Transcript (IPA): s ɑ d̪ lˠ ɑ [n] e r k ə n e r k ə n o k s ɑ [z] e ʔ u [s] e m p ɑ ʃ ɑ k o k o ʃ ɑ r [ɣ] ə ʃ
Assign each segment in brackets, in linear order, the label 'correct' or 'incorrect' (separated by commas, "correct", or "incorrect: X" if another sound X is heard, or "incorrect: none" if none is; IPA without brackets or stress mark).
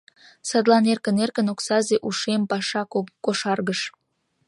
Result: correct, correct, incorrect: ʃ, correct